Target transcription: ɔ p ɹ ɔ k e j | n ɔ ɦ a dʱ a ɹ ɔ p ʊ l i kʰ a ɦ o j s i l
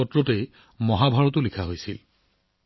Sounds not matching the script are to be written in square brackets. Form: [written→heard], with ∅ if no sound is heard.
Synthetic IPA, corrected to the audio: ɔ [p→t] ɹ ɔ [k→t] e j | [n→m] ɔ ɦ a [dʱ→bʱ] a ɹ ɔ [p→t] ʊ l i kʰ a ɦ o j s i l